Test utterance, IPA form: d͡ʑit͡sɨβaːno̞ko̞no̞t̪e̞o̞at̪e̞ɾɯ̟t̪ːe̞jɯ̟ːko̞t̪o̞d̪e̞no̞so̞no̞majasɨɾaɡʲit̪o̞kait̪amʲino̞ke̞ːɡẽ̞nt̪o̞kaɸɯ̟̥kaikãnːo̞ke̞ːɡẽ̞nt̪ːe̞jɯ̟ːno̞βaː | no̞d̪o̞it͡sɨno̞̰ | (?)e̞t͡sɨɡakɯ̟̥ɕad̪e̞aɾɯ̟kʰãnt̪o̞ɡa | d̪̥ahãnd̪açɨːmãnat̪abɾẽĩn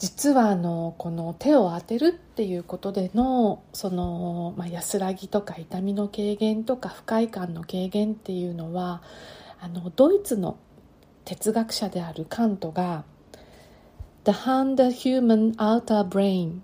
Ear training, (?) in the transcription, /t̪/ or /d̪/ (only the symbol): t̪